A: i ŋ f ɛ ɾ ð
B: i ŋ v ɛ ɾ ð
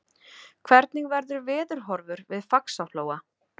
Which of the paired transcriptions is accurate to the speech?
B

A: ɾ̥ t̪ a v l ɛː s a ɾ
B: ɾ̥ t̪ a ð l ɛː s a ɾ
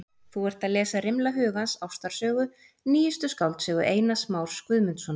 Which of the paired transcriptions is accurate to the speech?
B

